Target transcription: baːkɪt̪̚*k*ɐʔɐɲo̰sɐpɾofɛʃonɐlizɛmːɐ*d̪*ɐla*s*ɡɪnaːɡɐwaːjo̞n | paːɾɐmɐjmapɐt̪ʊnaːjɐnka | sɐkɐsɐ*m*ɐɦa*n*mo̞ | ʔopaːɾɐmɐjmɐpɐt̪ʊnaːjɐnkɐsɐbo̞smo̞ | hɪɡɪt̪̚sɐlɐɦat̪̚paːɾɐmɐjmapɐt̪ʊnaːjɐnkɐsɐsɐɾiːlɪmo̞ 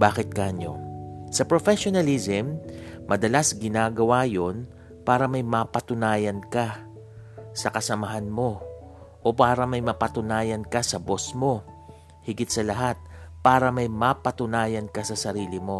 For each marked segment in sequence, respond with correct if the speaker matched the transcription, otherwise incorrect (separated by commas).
correct, correct, correct, correct, correct